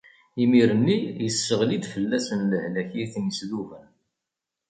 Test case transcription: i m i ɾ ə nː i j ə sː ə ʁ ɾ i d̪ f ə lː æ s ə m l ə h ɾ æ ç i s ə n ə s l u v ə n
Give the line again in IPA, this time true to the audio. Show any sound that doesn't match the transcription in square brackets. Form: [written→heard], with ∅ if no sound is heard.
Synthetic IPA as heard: i m i ɾ ə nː i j ə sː ə ʁ [ɾ→l] i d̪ f ə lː æ s ə [m→n] l ə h [ɾ→l] æ ç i [s→θ] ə n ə s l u v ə n